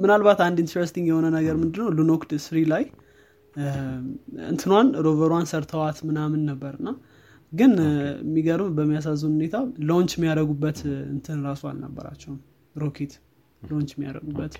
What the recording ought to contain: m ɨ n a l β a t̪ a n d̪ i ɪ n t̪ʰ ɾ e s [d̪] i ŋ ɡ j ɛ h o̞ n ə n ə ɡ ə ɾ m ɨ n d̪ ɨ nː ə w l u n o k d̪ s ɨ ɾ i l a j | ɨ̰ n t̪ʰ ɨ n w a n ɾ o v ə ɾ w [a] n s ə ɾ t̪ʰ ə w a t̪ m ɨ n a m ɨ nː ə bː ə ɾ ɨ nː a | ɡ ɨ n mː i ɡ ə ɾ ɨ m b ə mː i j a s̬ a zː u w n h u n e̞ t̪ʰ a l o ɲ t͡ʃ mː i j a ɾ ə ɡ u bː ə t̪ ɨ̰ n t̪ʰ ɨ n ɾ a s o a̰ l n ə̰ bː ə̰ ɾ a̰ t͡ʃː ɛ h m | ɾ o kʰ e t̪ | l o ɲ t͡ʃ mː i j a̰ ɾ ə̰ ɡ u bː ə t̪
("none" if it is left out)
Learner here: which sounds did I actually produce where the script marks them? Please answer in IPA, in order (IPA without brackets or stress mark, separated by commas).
t̪, a